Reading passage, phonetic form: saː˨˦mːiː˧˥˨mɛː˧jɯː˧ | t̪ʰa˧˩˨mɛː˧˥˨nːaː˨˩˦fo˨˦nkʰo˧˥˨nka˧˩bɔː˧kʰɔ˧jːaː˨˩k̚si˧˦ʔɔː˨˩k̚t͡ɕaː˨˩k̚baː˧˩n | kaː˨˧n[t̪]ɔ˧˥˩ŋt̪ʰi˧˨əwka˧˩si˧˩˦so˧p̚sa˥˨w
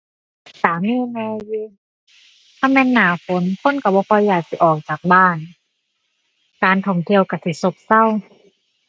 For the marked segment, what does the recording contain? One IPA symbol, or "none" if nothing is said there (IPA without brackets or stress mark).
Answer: t̪ʰ